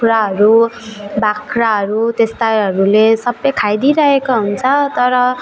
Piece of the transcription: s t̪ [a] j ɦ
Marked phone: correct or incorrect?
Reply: correct